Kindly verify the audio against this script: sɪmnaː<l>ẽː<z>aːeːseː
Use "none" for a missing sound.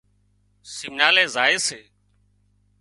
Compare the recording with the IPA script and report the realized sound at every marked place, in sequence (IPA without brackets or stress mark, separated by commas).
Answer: l, z